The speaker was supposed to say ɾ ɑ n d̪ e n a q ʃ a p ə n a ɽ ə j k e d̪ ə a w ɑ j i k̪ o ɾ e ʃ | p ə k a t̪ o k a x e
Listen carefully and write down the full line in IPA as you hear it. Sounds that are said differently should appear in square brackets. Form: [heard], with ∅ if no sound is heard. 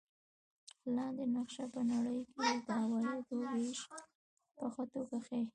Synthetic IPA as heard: [l] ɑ n d̪ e n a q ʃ a p ə n a ɽ ə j k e d̪ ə a w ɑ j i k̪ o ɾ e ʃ | p ə [x] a t̪ o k a x e